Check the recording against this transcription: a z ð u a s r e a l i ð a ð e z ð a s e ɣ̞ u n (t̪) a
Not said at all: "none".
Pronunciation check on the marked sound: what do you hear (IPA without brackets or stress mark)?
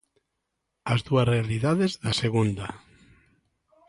d̪